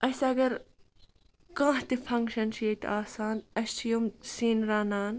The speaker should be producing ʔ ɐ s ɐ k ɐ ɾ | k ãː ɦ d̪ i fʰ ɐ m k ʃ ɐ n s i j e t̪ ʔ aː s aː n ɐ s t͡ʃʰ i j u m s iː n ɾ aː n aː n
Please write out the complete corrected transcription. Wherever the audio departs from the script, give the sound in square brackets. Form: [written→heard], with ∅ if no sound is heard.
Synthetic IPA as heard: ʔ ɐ s ɐ [k→ɡ] ɐ ɾ | k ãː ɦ [d̪→t̪] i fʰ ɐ [m→ŋ] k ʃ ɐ n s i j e t̪ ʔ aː s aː n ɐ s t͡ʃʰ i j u m s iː n ɾ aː n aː n